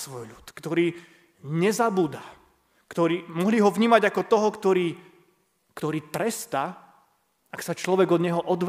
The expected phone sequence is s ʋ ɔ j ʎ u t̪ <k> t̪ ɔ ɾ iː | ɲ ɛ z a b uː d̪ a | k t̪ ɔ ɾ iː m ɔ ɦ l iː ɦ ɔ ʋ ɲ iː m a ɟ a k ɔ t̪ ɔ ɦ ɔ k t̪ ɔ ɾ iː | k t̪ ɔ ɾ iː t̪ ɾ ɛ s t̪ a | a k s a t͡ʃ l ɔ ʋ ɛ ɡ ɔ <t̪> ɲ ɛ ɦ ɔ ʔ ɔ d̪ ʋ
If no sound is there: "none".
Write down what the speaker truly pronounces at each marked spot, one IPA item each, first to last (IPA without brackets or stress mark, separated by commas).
k, d̪